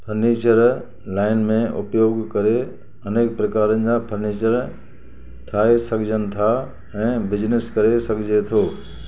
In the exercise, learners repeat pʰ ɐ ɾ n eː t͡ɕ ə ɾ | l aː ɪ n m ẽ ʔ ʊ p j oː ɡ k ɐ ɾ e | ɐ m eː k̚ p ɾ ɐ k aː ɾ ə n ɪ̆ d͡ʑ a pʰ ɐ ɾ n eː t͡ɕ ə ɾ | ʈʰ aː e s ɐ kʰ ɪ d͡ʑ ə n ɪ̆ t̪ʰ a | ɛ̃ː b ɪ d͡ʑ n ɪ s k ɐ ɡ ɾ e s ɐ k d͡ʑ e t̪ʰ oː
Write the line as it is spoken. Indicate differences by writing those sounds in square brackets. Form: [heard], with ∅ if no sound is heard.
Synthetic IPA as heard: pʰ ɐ ɾ n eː t͡ɕ ə ɾ | l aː ɪ n m ẽ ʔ ʊ p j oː ɡ k ɐ ɾ e | ɐ [n] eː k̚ p ɾ ɐ k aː ɾ ə n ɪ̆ d͡ʑ a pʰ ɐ ɾ n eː t͡ɕ ə ɾ | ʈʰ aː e s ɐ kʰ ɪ d͡ʑ ə n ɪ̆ t̪ʰ a | ɛ̃ː b ɪ d͡ʑ n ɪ s k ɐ [∅] ɾ e s ɐ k d͡ʑ e t̪ʰ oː